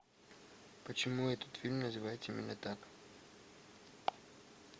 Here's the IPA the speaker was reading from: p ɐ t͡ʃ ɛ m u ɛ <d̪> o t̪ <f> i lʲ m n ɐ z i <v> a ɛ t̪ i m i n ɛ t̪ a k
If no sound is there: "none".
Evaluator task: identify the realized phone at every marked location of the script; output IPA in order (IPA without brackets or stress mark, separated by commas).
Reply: t̪, f, v